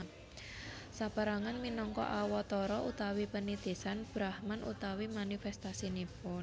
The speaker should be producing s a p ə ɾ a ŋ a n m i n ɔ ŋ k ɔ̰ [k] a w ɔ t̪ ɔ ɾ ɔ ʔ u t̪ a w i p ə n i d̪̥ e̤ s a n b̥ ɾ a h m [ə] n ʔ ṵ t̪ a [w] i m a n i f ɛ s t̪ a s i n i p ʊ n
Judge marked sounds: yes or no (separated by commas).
no, no, yes